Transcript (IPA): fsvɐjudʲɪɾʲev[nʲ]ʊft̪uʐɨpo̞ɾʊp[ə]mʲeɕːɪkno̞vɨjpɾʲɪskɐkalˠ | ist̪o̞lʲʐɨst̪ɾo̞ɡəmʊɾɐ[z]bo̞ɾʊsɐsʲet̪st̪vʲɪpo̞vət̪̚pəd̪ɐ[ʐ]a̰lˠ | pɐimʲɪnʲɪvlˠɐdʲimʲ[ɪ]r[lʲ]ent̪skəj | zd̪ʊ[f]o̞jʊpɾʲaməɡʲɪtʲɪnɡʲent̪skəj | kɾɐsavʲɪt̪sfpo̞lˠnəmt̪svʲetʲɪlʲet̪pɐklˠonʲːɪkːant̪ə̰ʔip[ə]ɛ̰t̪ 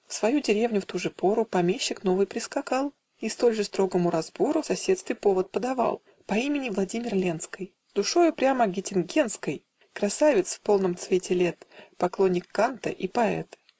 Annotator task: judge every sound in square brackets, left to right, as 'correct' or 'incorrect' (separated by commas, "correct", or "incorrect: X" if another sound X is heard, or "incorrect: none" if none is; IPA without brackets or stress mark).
correct, incorrect: ɐ, correct, incorrect: v, correct, correct, incorrect: ʂ, incorrect: ɐ